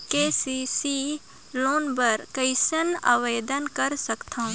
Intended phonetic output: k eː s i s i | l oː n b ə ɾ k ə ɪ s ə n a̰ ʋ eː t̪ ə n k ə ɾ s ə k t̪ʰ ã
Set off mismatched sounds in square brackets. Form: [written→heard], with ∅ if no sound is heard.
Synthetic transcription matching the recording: k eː s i s i | l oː n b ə ɾ k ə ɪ s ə n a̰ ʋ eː [t̪→d̪] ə n k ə ɾ s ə k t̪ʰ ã